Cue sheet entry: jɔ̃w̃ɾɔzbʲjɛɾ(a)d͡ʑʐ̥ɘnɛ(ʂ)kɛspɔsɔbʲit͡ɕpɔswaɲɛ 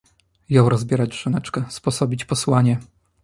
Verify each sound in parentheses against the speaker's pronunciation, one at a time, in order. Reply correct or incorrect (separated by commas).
correct, incorrect